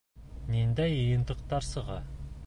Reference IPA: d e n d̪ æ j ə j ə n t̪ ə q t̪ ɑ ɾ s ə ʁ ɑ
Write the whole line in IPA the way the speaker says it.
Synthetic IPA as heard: n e n d̪ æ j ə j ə n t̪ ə q t̪ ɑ ɾ s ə ʁ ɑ